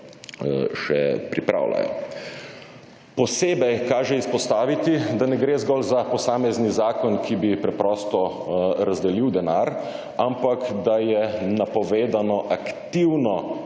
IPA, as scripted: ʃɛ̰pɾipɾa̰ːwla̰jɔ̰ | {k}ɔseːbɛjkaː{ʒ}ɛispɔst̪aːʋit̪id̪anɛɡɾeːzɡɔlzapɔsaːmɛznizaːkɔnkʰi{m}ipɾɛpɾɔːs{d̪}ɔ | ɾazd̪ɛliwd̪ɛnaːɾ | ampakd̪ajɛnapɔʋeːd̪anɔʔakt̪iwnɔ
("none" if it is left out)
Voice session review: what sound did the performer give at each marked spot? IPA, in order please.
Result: p, ʒ, b, t̪

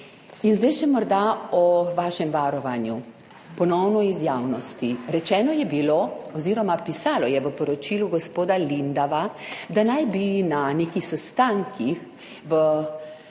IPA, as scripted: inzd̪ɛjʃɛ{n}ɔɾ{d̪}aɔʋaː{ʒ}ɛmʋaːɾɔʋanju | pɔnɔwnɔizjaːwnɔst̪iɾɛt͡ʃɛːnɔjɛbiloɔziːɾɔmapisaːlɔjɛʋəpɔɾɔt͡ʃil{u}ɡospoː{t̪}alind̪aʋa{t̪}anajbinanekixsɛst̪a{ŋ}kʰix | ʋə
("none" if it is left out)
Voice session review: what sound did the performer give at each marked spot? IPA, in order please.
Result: m, d̪, ʃ, u, d̪, d̪, ŋ

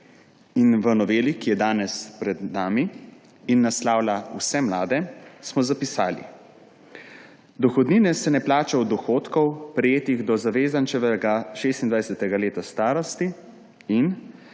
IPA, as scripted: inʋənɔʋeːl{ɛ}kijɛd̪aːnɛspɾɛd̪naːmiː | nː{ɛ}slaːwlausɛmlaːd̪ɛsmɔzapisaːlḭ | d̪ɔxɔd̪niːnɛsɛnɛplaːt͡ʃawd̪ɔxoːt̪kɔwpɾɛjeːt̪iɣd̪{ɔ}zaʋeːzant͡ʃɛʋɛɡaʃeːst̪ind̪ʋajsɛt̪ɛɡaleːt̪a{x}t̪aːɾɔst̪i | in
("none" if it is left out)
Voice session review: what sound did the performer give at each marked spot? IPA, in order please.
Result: i, a, ɔ, s

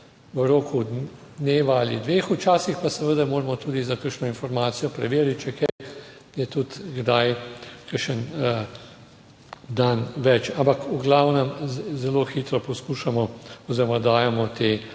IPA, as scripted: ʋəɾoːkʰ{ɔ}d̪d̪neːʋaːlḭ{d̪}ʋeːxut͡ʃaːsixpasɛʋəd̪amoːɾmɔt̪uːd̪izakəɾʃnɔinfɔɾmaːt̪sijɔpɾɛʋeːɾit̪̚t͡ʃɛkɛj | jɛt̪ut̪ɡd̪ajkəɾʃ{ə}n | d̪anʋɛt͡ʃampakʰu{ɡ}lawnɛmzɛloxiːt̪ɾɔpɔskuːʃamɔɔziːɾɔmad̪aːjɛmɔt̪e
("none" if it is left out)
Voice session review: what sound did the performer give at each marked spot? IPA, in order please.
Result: u, d̪, ə, ɡ

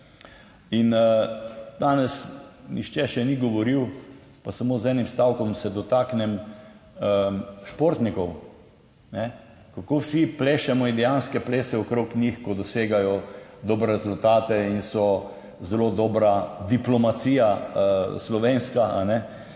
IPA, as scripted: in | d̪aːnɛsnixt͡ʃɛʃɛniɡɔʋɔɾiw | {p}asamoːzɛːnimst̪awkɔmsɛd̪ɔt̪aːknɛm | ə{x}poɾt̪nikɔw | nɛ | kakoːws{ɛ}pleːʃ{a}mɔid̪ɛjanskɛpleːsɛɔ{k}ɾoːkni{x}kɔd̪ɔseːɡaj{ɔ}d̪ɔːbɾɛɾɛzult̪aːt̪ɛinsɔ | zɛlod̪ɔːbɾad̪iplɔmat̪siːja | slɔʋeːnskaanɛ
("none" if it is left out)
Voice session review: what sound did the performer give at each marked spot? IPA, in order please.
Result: p, ʃ, i, ɛ, k, x, ɔ

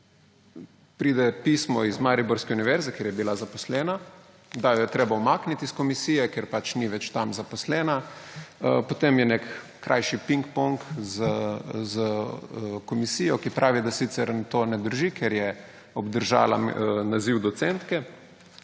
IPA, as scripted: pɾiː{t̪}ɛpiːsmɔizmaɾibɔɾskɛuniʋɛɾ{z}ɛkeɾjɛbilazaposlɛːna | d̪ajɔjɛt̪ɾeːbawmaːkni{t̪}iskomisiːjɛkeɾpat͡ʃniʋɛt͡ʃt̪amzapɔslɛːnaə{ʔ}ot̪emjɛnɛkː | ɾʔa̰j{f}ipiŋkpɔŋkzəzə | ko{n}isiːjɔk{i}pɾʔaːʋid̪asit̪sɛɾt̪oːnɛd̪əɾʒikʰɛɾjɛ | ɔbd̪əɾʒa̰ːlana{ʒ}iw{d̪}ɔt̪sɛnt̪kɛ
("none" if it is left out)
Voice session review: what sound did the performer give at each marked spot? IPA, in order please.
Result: d̪, z, t̪, p, ʃ, m, i, z, d̪

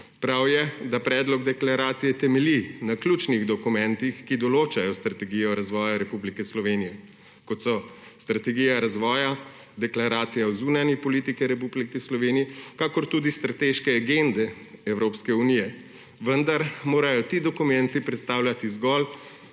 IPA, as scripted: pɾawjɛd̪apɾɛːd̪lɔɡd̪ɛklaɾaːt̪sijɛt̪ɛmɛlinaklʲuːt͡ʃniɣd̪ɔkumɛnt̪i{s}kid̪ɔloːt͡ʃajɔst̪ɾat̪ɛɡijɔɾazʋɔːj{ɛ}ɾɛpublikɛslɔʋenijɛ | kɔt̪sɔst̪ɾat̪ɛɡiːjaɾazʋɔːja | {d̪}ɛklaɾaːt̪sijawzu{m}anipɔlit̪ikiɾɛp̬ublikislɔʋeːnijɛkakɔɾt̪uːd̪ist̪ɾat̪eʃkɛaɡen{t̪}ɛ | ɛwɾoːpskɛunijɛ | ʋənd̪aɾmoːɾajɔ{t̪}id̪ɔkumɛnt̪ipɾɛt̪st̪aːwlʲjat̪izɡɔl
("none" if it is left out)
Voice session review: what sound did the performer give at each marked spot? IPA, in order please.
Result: x, a, d̪, n, d̪, t̪

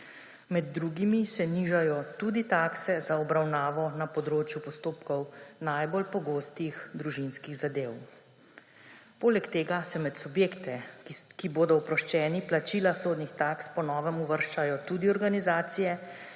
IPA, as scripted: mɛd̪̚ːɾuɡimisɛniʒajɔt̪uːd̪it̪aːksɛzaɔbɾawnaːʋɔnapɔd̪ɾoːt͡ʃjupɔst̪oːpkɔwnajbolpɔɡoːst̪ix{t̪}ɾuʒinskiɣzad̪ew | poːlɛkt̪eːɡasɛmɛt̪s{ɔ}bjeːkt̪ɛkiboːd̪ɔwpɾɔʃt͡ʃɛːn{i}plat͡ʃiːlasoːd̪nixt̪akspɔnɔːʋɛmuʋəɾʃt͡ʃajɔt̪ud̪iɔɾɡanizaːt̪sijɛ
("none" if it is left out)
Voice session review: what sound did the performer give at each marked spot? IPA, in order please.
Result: d̪, u, i

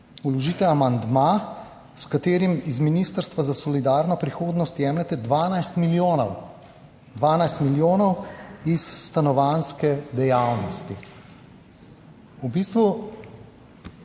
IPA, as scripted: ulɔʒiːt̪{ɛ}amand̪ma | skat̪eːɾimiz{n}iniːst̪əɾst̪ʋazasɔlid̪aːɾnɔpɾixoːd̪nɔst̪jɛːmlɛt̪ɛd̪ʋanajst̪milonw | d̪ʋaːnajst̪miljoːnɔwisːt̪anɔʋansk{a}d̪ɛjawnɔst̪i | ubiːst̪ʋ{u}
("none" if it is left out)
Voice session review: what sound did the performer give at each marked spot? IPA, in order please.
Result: ɛ, m, ɛ, u

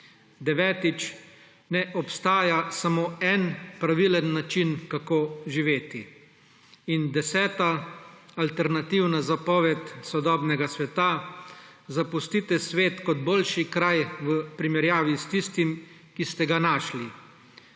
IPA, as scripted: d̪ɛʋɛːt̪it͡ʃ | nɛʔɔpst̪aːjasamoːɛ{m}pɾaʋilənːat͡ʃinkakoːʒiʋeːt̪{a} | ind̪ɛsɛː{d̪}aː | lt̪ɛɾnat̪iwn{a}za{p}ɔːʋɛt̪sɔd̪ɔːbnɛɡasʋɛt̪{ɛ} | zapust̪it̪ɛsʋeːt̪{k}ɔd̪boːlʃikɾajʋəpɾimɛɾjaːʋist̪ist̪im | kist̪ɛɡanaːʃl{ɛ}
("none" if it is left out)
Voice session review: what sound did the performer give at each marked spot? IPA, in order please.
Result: n, i, t̪, a, p, a, k, i

